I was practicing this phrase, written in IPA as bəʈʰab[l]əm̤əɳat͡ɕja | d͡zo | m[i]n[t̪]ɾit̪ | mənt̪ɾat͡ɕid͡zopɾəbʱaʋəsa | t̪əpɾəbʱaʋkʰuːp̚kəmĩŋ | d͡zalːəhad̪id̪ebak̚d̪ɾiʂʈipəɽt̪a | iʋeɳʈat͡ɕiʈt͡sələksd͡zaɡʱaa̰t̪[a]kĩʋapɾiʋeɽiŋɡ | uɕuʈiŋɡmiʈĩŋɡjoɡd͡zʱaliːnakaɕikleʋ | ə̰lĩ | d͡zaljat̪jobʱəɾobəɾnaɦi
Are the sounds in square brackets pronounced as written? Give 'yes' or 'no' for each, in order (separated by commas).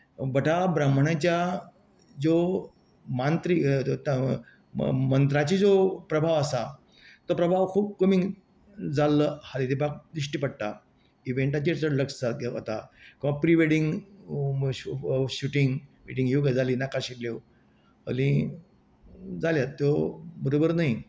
no, no, yes, yes